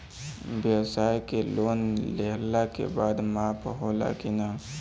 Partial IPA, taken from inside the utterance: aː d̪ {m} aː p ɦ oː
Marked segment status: correct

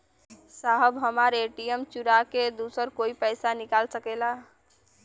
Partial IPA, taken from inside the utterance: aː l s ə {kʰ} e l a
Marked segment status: incorrect: k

